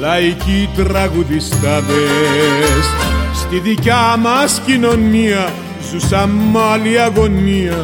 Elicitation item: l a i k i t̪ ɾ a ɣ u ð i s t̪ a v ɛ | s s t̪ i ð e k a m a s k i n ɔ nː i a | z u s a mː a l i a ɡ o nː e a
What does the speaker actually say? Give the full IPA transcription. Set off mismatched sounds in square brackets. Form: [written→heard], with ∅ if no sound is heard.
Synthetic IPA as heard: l a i k i t̪ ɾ a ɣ u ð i s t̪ a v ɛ | s s t̪ i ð [e→i] k a m a s k i n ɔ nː i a | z u s a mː a l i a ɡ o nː [e→i] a